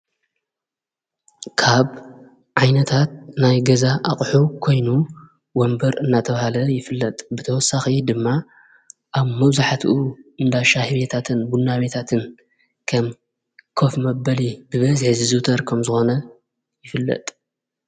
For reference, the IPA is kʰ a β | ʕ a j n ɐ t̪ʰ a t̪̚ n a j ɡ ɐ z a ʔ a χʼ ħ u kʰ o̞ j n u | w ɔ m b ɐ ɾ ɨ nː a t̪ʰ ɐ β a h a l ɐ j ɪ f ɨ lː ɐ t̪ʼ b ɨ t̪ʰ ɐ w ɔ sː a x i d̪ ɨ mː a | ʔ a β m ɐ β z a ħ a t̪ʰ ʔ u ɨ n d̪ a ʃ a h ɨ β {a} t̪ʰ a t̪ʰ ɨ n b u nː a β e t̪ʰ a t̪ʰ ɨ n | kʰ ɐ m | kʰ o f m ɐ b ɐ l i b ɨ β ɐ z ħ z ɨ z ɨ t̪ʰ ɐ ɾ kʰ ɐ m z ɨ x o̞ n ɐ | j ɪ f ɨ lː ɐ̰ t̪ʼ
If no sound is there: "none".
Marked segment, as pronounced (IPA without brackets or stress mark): e